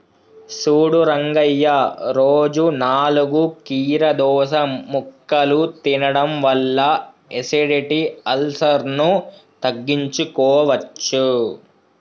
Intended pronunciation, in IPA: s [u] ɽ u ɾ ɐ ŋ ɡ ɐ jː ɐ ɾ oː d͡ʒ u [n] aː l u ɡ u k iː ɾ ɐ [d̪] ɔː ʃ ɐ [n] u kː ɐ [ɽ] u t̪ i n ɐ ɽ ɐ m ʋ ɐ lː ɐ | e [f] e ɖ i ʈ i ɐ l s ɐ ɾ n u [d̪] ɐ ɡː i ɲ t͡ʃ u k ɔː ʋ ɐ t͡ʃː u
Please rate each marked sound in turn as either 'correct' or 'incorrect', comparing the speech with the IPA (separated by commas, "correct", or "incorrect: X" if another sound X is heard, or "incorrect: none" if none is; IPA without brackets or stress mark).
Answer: incorrect: uː, correct, correct, incorrect: m, incorrect: l, incorrect: s, incorrect: t̪